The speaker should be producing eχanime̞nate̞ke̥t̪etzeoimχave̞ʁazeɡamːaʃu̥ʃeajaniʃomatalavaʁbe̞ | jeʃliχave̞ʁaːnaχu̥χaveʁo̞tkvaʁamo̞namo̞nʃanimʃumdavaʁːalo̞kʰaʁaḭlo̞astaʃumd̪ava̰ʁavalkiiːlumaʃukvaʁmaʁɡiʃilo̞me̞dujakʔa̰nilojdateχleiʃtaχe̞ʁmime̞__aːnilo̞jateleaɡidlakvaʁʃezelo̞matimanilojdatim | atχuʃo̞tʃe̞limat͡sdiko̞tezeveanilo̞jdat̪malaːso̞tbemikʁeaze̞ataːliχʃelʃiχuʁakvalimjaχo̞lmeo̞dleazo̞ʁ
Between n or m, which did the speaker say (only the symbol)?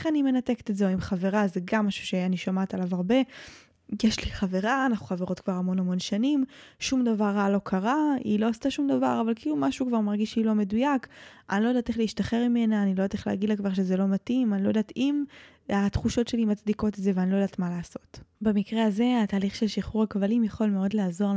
n